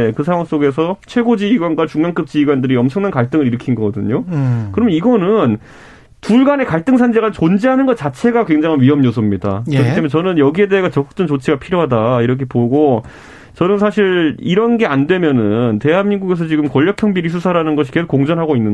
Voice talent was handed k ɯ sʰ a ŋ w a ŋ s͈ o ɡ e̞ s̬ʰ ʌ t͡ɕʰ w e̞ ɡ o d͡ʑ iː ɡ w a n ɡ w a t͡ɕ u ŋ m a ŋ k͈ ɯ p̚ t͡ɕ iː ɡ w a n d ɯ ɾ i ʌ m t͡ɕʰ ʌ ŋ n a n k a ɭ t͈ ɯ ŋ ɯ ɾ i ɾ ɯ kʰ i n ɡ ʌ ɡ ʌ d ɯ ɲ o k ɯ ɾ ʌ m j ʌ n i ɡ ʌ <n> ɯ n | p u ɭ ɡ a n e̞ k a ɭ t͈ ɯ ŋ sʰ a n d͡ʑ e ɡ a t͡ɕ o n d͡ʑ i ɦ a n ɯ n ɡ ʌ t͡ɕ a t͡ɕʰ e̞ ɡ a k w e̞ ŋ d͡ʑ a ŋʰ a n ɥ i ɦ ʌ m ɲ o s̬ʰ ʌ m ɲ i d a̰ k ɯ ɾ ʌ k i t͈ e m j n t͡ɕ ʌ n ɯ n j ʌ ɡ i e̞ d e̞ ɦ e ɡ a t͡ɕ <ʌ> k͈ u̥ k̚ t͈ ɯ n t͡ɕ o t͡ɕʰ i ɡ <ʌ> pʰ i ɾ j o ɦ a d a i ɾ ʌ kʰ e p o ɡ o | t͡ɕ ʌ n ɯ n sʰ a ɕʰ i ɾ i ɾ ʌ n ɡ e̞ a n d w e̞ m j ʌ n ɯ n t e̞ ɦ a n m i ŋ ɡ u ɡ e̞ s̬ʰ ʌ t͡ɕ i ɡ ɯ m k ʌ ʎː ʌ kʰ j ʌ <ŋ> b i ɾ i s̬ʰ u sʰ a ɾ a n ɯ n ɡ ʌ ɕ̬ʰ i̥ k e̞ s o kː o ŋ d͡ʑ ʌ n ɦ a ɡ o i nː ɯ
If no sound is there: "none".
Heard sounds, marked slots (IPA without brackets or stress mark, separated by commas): n, ʌ, a, ŋ